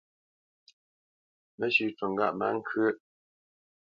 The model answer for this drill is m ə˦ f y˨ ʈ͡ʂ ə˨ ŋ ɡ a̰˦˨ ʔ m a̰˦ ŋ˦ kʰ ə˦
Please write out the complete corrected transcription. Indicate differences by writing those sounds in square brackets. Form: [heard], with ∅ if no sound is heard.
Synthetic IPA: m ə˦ [ɕ] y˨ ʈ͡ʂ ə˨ ŋ ɡ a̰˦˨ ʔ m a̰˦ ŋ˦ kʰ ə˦